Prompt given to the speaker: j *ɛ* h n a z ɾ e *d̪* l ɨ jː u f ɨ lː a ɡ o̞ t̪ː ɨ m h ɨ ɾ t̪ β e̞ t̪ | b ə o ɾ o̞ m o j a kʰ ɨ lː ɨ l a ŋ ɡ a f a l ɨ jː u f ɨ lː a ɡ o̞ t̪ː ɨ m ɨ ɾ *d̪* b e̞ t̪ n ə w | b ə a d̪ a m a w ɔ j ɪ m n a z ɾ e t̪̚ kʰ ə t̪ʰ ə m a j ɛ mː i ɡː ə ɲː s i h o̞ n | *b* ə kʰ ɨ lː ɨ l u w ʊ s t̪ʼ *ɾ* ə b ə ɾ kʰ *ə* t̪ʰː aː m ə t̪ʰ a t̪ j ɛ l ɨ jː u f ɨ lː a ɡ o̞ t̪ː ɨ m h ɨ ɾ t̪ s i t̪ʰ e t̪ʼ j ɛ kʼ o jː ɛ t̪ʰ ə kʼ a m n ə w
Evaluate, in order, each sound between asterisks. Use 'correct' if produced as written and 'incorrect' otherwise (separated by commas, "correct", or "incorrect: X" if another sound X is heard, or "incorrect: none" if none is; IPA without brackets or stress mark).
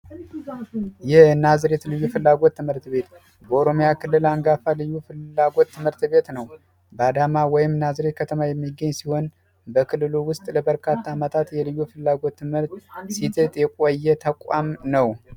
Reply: correct, incorrect: t̪, incorrect: t̪, correct, incorrect: l, incorrect: a